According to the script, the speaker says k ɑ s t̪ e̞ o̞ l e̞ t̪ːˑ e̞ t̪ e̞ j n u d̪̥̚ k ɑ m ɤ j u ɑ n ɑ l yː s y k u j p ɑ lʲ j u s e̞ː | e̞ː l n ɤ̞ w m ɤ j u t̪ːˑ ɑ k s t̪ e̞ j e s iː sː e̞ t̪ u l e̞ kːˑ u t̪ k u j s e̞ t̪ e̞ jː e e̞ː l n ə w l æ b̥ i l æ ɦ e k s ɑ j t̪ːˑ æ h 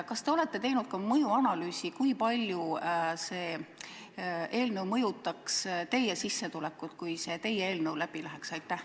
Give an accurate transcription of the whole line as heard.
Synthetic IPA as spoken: k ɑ s t̪ e̞ o̞ l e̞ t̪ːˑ e̞ t̪ e̞ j n u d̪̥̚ k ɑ m ɤ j u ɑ n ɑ l yː s i k u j p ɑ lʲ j u s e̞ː | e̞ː l n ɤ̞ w m ɤ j u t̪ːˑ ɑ k s t̪ e̞ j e s i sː e̞ t̪ u l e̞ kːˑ u t̪ k u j s e̞ t̪ e̞ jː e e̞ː l n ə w l æ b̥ i l æ ɦ e k s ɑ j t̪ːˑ æ h